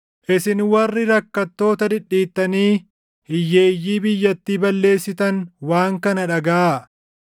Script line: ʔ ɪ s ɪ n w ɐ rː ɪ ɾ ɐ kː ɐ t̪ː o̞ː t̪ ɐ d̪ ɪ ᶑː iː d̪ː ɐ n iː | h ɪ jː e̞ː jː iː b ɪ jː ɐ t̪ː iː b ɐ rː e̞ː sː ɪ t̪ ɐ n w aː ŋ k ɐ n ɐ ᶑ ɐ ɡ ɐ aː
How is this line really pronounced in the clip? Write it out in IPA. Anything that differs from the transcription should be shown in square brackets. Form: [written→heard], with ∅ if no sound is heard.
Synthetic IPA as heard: ʔ ɪ s ɪ n w ɐ rː ɪ ɾ ɐ kː ɐ t̪ː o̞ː t̪ ɐ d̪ ɪ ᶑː iː [d̪ː→t̪ː] ɐ n iː | h ɪ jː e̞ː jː iː b ɪ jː ɐ t̪ː iː b ɐ [rː→lː] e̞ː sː ɪ t̪ ɐ n w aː ŋ k ɐ n ɐ ᶑ ɐ ɡ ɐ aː